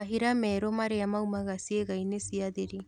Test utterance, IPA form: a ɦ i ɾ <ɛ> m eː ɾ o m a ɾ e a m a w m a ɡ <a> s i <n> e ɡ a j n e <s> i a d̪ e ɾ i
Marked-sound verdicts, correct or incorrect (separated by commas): incorrect, correct, incorrect, correct